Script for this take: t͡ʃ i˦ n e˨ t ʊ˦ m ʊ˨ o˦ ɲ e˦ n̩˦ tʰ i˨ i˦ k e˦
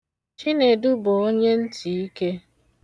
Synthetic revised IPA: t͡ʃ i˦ n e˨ d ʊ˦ b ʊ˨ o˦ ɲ e˦ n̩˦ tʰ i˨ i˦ k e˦